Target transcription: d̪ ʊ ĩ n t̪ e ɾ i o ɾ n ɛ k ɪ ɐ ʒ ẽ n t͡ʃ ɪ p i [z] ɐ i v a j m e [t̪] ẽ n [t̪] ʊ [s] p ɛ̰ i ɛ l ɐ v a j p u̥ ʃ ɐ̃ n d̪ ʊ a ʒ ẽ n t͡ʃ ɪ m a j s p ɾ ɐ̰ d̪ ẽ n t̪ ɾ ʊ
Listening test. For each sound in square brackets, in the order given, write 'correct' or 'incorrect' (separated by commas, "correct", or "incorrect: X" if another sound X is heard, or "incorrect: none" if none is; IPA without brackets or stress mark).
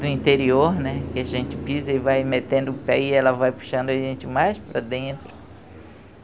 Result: correct, correct, incorrect: d̪, incorrect: none